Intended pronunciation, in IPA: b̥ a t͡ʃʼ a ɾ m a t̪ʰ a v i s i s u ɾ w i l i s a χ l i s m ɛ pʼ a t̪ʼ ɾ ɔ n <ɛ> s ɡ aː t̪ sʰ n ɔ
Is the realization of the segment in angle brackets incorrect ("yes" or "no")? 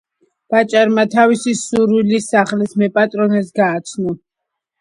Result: no